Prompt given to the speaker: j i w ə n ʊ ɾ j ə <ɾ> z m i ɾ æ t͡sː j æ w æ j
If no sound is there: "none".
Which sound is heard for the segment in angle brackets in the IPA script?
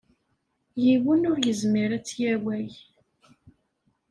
none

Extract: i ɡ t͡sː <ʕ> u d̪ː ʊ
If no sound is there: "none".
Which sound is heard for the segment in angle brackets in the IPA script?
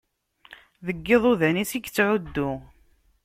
ʕ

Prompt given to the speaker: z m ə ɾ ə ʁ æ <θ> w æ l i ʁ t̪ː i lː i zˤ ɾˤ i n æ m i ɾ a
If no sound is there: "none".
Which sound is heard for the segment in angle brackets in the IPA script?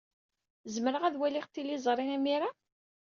ð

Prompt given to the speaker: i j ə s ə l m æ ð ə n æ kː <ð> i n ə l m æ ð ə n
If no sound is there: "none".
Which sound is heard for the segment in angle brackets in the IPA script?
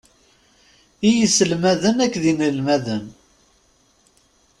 ð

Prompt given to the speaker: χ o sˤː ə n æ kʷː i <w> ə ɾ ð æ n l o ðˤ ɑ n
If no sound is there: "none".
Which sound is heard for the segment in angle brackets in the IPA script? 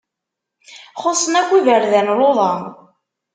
v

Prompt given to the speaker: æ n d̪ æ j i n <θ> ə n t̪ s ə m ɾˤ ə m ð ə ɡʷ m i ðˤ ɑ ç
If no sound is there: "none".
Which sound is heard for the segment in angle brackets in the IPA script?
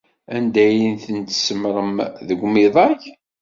θ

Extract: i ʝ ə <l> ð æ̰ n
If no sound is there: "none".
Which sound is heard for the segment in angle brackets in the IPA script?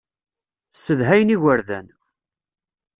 ɾ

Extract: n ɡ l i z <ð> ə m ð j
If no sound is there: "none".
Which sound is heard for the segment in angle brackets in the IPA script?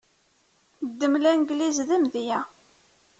ð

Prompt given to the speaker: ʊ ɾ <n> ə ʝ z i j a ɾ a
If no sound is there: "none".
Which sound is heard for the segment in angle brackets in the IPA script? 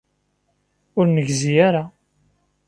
n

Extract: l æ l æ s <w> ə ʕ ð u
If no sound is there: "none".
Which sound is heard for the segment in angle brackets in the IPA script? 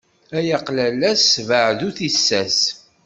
v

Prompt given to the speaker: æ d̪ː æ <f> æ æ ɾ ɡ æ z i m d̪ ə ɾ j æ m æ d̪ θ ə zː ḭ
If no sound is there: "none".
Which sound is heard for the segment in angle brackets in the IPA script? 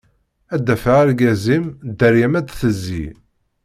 f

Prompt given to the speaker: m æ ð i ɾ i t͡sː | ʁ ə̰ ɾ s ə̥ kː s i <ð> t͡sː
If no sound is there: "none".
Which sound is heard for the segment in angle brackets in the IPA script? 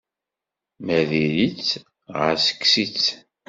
none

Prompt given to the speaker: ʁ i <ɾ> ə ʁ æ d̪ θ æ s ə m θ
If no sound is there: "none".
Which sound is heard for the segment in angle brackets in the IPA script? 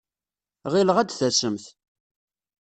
l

